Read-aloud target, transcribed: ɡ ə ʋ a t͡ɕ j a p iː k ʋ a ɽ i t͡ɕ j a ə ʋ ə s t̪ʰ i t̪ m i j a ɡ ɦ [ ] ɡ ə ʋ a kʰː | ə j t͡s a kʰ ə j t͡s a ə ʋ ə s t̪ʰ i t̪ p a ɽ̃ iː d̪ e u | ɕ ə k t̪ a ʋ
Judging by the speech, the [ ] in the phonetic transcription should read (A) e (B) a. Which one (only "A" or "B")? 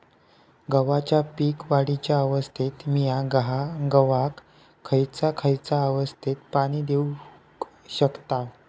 B